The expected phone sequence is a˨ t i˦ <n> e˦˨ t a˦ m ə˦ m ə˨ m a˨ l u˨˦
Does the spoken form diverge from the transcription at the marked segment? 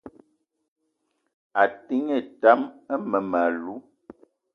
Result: yes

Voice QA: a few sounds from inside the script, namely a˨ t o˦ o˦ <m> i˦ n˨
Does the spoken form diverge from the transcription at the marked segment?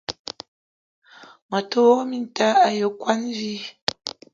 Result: no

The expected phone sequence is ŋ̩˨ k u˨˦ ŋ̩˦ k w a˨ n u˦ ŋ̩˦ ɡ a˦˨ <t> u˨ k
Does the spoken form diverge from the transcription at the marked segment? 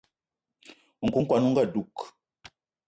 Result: yes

